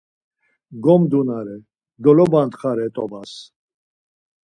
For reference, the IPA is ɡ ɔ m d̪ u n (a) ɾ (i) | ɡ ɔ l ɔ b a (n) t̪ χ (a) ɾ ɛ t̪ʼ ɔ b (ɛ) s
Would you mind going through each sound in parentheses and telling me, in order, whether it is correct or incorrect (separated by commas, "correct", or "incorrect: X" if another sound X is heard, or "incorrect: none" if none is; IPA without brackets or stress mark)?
correct, incorrect: ɛ, correct, correct, incorrect: a